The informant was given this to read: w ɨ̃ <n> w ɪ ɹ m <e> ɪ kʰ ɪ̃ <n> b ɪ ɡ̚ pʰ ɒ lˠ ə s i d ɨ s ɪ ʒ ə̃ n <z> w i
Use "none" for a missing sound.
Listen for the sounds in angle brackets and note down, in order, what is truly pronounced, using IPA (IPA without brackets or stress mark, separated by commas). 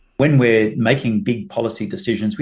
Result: n, e, ŋ, z